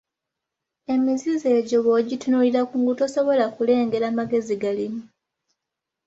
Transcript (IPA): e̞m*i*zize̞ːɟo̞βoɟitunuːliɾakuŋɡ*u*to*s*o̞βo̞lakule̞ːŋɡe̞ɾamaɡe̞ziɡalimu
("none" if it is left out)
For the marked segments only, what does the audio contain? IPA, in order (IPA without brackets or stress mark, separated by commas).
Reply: i, u, s